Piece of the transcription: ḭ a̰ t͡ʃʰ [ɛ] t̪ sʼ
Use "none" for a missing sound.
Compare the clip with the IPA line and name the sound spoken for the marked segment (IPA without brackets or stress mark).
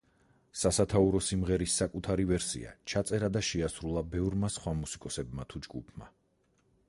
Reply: a